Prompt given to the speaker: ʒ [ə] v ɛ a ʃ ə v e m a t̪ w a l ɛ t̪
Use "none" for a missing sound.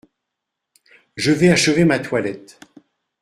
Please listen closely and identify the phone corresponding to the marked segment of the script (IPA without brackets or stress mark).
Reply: ə